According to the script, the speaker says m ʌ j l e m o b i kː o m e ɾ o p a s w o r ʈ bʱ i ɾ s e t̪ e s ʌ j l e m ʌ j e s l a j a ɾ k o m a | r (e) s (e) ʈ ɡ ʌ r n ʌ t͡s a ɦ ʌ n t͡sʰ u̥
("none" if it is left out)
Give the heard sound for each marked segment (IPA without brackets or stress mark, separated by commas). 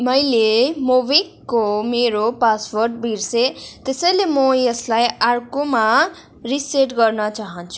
i, e